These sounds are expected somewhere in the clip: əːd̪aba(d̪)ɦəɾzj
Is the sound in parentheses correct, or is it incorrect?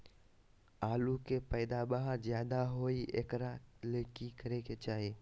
incorrect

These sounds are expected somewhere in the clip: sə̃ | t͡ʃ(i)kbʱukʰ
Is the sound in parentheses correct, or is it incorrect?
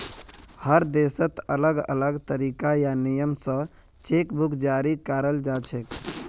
incorrect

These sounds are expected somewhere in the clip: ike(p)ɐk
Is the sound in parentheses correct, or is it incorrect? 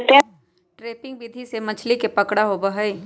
correct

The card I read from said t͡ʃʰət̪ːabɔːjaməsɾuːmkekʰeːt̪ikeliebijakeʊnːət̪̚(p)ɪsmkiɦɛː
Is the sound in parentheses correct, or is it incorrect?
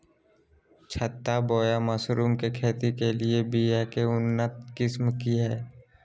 incorrect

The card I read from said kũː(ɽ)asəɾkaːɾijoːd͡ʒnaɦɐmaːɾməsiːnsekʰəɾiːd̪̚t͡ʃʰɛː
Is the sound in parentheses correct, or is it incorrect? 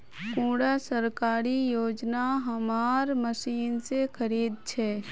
correct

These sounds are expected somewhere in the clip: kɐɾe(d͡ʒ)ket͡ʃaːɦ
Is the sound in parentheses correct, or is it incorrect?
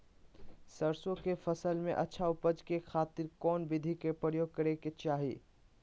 incorrect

